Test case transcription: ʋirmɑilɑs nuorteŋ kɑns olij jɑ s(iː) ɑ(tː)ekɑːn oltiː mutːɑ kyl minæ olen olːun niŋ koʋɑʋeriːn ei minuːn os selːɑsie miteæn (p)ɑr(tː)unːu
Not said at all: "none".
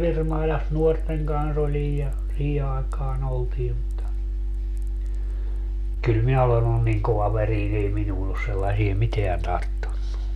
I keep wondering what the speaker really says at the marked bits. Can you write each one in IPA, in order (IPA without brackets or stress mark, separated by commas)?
iː, none, t, tː